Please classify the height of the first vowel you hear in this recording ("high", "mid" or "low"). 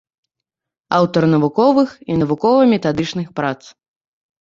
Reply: low